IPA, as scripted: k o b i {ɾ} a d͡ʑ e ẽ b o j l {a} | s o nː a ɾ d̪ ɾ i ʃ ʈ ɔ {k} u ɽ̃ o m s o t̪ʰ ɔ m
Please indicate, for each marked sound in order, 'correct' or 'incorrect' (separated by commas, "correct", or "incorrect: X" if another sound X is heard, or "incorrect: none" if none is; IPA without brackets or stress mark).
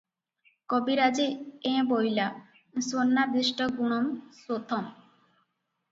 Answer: correct, correct, incorrect: ɡ